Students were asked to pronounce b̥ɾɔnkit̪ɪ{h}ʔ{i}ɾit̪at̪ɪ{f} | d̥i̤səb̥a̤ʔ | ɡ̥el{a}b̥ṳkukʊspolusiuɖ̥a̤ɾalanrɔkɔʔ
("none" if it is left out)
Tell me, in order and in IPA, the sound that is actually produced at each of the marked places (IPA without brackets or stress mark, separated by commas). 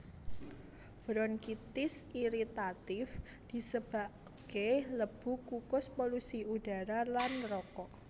s, i, f, ə